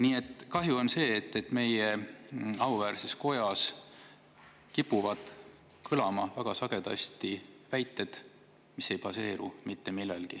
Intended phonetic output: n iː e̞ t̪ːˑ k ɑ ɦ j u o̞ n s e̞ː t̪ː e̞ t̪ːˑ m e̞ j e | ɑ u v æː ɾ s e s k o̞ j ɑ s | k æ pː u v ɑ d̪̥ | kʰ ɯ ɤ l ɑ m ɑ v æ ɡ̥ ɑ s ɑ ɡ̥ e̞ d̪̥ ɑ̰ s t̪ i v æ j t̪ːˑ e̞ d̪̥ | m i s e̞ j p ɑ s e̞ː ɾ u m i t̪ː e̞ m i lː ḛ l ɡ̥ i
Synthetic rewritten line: n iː e̞ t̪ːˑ k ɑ ɦ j u o̞ n s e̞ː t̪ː e̞ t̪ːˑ m e̞ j e | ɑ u v æː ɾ s e s k o̞ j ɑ s | k i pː u v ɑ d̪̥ | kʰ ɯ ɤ l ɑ m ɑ v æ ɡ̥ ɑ s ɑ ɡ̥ e̞ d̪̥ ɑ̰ s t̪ i v æ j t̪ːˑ e̞ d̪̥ | m i s e̞ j p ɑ s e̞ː ɾ u m i t̪ː e̞ m i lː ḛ l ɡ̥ i